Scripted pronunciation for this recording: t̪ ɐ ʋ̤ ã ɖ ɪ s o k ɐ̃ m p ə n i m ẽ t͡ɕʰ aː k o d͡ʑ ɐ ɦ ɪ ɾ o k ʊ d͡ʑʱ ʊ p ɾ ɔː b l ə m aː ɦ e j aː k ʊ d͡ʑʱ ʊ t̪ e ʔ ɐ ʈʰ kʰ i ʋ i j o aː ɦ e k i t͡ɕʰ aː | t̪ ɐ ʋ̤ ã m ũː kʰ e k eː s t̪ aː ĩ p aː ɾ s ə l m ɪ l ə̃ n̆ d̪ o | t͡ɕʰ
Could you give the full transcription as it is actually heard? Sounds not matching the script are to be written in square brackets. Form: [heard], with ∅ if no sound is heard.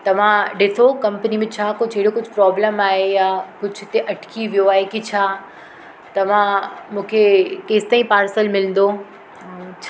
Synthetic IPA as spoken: t̪ ɐ ʋ̤ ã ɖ ɪ s o k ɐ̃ m p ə n i m ẽ t͡ɕʰ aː k o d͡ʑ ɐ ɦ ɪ [ɽ] o k ʊ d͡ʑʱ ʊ p ɾ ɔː b l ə m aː ɦ e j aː k ʊ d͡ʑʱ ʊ t̪ e ʔ ɐ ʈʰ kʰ i ʋ i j o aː ɦ e k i t͡ɕʰ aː | t̪ ɐ ʋ̤ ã m ũː kʰ e k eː s t̪ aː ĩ p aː ɾ s ə l m ɪ l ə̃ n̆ d̪ o | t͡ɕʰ